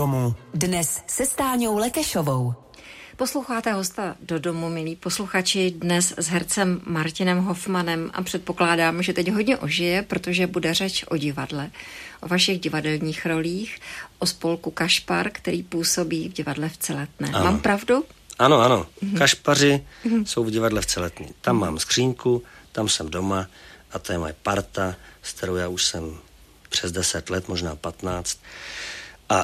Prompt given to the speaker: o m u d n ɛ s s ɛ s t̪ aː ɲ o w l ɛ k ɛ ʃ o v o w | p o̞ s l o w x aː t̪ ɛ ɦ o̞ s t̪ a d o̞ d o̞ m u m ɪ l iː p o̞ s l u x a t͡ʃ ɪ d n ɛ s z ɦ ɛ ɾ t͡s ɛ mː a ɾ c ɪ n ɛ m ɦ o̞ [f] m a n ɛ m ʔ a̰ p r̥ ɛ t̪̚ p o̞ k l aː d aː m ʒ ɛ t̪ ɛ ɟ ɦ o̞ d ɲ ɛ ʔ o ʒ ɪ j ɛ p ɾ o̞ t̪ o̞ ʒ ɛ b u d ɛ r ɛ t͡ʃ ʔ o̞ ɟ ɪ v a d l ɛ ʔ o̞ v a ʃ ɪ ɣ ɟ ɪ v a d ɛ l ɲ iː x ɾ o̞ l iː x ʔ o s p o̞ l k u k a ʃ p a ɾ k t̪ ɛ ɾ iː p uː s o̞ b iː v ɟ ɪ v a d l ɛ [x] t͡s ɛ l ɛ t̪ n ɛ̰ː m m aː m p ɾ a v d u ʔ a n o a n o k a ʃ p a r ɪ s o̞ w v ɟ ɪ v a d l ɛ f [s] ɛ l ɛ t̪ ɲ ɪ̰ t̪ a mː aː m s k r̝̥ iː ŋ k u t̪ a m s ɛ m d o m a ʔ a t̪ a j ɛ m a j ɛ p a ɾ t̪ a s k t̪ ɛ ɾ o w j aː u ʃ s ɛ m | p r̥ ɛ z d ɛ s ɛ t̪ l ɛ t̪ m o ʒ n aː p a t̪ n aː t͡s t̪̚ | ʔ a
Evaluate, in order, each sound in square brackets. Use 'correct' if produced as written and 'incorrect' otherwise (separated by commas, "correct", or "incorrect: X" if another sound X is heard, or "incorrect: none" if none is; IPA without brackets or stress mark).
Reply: correct, incorrect: f, incorrect: t͡s